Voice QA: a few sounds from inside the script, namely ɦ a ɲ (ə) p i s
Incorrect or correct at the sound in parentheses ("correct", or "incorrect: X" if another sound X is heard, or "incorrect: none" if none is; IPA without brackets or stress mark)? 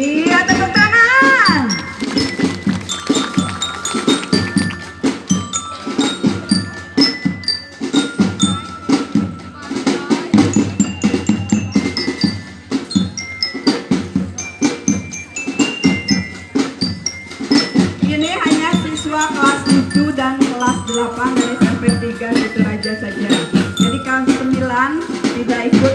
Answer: incorrect: a